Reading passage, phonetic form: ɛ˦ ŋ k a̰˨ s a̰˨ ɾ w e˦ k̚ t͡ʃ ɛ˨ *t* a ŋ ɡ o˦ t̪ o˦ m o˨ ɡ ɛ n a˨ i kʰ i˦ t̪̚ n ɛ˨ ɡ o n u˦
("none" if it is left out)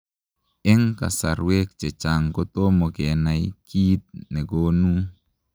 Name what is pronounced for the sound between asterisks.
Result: t͡ʃ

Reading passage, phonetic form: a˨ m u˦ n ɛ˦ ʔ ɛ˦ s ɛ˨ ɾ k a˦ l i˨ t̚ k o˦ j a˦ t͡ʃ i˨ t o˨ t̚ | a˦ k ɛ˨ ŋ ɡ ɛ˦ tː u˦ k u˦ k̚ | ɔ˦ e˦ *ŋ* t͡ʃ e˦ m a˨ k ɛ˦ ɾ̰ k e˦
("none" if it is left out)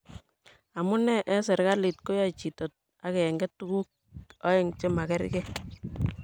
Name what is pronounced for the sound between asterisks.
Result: ŋ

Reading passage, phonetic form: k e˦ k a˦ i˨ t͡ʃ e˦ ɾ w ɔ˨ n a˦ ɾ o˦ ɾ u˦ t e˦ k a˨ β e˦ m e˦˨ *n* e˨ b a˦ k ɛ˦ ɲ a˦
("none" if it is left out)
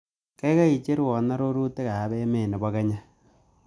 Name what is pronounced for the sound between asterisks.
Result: n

